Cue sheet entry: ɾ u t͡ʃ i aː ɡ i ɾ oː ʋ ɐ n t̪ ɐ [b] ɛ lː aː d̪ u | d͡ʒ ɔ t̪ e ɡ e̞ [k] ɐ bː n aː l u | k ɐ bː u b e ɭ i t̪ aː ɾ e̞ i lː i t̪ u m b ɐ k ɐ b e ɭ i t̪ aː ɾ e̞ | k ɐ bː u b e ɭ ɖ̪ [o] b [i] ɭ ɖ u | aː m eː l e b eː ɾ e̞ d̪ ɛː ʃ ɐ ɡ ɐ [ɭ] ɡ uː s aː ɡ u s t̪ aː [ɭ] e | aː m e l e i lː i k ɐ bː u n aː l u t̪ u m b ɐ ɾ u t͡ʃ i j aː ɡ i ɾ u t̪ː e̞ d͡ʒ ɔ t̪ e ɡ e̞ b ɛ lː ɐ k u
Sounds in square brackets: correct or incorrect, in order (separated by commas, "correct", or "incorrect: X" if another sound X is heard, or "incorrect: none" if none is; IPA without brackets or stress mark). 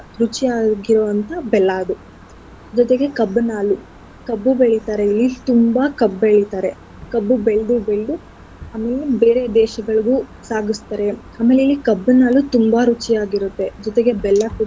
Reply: correct, correct, incorrect: u, incorrect: e, correct, incorrect: ɾ